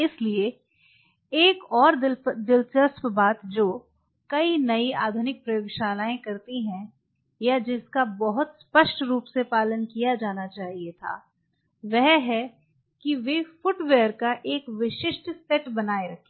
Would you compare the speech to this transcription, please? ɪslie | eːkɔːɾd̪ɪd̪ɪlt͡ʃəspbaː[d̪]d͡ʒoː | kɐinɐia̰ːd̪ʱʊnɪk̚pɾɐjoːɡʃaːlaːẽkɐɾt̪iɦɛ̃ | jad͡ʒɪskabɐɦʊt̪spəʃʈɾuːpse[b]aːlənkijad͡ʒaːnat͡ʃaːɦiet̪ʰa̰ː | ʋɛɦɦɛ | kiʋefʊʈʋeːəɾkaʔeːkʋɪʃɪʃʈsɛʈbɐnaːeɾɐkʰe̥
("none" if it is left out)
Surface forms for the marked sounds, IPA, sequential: t̪, p

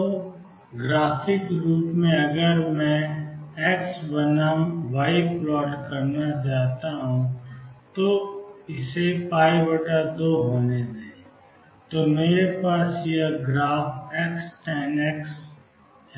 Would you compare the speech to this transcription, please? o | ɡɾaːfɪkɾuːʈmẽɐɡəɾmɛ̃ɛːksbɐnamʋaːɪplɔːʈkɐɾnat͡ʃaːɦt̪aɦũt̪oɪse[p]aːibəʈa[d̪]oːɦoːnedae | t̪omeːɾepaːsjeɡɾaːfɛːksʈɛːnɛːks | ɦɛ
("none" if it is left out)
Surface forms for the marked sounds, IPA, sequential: p, d̪

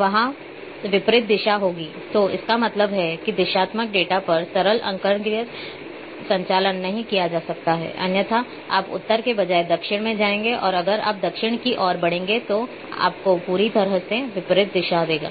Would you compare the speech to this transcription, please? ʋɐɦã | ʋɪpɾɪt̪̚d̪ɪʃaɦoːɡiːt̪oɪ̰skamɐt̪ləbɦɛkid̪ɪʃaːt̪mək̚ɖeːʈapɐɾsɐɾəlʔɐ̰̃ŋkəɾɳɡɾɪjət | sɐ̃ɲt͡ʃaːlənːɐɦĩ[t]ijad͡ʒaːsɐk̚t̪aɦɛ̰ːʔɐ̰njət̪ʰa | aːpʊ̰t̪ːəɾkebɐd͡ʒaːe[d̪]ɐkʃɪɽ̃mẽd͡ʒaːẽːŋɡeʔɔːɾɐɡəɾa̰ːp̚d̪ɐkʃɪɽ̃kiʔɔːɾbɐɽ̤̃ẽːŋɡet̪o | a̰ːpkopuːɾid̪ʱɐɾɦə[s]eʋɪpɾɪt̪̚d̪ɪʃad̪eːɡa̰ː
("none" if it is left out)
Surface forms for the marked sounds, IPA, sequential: k, d̪, s

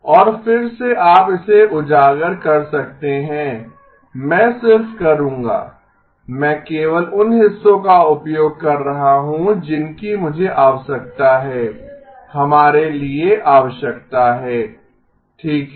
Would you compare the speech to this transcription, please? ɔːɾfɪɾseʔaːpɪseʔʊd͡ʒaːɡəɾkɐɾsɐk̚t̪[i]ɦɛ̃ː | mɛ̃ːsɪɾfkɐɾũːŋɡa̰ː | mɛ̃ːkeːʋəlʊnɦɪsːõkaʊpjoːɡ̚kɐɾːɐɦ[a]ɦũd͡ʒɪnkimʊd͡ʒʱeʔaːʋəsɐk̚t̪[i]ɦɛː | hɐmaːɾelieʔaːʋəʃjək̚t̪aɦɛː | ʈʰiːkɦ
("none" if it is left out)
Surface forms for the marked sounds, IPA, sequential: e, a, a

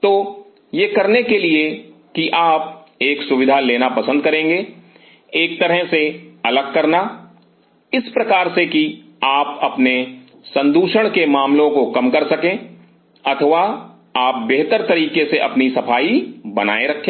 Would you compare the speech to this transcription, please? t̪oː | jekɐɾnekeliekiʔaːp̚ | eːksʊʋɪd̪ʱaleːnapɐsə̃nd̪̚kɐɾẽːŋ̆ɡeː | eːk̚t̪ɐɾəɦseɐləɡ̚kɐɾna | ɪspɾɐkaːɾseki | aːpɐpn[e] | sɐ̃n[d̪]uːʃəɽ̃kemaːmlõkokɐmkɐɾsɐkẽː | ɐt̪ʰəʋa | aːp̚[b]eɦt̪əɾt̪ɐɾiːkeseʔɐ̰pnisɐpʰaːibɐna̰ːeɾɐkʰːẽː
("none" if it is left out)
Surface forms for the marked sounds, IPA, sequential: e, d̪, b

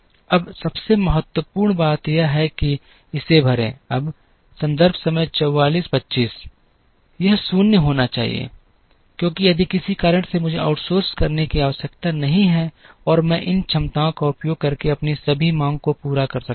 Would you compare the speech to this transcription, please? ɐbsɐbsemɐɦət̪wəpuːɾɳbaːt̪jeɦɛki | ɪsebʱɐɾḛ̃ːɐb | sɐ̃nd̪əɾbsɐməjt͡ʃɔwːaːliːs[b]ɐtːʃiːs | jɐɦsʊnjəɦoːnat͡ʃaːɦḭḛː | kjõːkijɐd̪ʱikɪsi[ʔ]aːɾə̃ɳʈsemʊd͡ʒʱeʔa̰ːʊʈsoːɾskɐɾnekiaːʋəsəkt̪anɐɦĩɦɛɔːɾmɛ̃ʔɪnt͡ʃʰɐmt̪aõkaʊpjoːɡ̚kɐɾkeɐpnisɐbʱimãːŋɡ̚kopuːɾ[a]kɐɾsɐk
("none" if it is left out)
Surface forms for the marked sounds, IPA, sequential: p, k, a

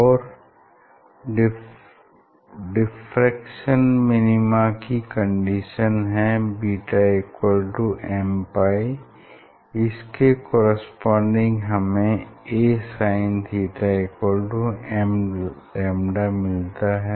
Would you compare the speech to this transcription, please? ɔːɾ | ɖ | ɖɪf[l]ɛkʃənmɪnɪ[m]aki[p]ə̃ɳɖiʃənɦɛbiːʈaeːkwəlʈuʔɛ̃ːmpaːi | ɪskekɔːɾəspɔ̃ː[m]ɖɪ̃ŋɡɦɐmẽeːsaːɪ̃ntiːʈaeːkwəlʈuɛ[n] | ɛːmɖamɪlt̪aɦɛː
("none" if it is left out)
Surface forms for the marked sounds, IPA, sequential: ɾ, m, k, ɳ, m

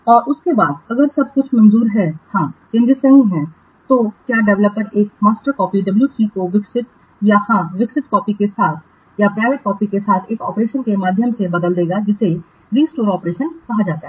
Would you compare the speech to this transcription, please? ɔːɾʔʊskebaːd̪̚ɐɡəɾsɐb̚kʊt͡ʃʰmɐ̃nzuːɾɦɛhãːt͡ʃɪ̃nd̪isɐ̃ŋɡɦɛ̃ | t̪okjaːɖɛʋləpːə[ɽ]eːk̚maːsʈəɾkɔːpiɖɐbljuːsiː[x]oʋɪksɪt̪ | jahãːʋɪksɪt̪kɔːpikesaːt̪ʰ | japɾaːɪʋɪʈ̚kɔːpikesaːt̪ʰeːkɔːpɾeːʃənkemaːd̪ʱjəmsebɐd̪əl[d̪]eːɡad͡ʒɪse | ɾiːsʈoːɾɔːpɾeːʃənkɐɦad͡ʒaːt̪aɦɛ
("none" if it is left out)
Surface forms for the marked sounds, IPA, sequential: ɾ, k, d̪

